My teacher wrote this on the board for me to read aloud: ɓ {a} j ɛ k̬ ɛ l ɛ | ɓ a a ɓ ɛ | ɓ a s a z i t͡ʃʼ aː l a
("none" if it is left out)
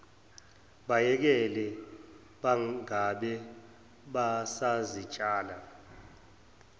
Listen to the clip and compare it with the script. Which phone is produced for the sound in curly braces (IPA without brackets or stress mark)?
a